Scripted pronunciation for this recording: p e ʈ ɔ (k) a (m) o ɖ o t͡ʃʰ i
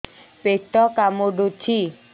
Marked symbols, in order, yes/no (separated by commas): yes, yes